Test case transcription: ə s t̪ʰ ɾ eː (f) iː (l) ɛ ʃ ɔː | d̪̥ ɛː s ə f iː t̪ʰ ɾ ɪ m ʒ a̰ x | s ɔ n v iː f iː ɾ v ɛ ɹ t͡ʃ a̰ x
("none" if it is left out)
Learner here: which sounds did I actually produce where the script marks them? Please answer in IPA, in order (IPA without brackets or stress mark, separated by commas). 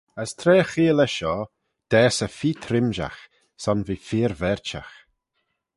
x, l